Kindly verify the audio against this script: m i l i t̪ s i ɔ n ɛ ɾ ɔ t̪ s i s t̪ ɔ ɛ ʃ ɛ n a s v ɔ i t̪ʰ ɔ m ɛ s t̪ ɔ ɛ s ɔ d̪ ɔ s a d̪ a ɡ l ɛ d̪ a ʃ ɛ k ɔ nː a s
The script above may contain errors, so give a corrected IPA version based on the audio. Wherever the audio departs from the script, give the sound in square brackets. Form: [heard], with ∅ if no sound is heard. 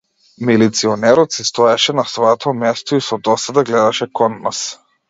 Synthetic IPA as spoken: m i l i t̪ s i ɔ n ɛ ɾ ɔ t̪ s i s t̪ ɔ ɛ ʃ ɛ n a s v ɔ [ɛ] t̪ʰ ɔ m ɛ s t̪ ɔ [i] s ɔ d̪ ɔ s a d̪ a ɡ l ɛ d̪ a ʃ ɛ k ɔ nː a s